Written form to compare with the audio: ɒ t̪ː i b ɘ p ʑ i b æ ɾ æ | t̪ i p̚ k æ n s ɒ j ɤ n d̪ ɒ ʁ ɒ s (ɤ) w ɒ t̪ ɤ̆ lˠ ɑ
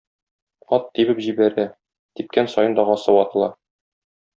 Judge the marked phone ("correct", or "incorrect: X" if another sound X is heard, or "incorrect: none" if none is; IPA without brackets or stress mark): correct